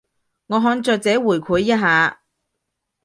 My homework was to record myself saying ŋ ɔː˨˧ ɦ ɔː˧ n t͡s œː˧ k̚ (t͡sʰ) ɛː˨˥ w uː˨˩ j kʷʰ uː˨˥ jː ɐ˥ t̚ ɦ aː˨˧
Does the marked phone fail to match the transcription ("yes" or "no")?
yes